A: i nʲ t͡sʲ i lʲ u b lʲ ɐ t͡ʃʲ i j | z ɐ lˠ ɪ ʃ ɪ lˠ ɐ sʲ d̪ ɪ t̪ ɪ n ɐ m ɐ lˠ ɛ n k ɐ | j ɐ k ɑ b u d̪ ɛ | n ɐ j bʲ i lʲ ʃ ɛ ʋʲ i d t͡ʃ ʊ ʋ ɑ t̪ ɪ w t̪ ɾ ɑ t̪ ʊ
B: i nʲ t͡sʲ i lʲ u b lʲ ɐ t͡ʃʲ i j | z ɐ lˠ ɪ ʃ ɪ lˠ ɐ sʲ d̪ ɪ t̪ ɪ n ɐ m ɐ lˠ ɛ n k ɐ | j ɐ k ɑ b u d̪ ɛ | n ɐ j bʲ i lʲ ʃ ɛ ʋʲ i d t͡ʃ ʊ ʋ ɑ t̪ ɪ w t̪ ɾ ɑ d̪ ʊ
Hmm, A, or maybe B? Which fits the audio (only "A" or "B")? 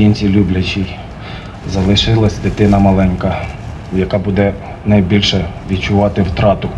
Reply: A